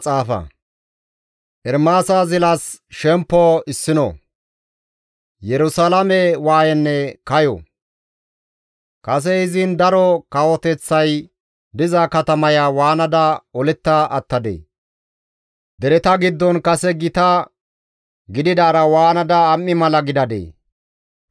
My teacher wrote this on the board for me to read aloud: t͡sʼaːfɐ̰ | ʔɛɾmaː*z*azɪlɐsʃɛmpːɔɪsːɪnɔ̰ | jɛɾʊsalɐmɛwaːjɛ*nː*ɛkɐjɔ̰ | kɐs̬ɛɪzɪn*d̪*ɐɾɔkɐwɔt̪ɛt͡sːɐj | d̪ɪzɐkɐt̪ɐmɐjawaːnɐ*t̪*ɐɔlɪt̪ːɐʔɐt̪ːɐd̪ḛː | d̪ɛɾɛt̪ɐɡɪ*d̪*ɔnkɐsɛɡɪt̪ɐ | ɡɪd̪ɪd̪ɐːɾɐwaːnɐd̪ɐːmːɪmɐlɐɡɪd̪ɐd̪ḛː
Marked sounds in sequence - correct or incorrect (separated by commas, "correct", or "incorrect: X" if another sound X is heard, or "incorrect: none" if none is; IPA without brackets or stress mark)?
incorrect: s, correct, correct, incorrect: d̪, incorrect: d̪ː